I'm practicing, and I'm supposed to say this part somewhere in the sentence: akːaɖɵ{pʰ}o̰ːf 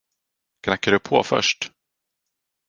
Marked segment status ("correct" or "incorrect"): correct